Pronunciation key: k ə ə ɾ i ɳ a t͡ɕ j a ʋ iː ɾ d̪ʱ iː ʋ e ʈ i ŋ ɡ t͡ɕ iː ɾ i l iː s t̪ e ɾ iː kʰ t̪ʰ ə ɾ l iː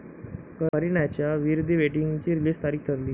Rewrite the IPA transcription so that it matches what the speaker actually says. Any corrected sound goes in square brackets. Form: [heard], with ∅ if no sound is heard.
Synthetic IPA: k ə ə ɾ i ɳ a t͡ɕ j a ʋ [i] ɾ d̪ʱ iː ʋ e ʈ i ŋ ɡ t͡ɕ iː ɾ i l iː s t̪ [a] ɾ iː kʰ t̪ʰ ə ɾ l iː